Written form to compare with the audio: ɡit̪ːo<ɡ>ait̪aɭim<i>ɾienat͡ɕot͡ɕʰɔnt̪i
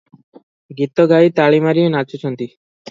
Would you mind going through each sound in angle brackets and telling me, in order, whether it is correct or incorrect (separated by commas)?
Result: correct, incorrect